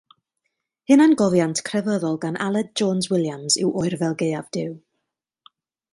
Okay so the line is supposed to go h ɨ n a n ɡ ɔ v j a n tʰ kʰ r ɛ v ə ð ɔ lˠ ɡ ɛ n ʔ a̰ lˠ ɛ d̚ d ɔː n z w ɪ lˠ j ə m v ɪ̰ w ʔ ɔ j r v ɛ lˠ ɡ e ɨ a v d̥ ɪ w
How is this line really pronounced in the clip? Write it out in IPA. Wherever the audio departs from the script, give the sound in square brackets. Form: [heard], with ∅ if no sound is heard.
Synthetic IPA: h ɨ n a n ɡ ɔ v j a n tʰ kʰ r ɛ v ə ð ɔ lˠ ɡ [a] n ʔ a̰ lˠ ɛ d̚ [d͡ʒ] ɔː n z w ɪ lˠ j [a] m [z] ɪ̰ w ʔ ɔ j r v ɛ lˠ ɡ e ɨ a v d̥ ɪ w